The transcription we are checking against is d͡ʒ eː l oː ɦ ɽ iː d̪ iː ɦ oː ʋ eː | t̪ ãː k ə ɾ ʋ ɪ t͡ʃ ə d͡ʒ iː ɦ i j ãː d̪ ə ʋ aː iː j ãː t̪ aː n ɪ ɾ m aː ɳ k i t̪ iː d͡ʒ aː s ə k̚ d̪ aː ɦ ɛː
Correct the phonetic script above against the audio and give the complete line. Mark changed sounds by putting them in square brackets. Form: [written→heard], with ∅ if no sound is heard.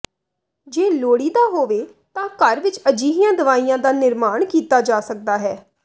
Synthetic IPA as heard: d͡ʒ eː l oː [ɦ→∅] ɽ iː d̪ [iː→aː] ɦ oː ʋ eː | t̪ ãː k ə ɾ ʋ ɪ t͡ʃ ə d͡ʒ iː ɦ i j ãː d̪ ə ʋ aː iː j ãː [t̪→d̪] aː n ɪ ɾ m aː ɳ k [i→iː] t̪ [iː→aː] d͡ʒ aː s ə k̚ d̪ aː ɦ ɛː